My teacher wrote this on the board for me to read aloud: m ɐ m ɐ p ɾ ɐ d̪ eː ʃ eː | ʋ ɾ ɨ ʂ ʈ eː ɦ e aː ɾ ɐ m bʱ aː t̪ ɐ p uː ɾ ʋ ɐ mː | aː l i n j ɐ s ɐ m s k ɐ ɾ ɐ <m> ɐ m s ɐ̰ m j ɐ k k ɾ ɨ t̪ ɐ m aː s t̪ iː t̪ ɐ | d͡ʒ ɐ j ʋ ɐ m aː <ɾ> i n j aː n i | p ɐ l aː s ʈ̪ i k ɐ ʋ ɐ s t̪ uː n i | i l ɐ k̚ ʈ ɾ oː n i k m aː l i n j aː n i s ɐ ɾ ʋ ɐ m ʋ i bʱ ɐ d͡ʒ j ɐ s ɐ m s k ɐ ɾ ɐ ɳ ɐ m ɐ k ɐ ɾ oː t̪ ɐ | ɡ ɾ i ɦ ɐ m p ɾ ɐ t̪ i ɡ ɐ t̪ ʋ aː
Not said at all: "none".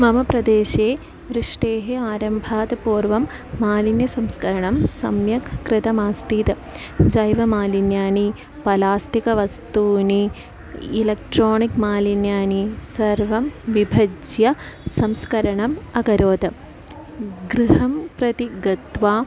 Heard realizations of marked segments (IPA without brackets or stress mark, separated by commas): ɳ, l